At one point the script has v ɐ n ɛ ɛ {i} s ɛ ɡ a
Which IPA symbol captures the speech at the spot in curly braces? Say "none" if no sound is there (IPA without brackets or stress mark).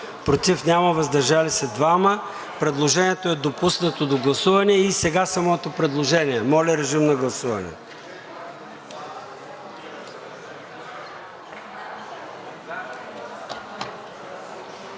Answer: i